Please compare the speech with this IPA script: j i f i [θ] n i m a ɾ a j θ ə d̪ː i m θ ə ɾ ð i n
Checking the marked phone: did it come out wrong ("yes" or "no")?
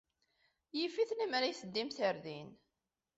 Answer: no